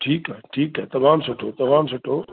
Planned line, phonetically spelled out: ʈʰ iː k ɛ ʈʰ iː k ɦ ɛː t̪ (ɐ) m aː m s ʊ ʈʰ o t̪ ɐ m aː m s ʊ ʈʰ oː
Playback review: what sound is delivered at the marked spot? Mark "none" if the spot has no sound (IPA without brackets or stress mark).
ɐ